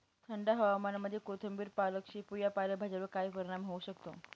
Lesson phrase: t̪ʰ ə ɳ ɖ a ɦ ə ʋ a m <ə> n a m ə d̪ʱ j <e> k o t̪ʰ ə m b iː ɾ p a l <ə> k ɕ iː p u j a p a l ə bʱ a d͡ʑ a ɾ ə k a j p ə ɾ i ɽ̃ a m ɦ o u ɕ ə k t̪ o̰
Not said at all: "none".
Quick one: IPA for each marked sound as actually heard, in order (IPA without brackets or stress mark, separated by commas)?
a, e, ə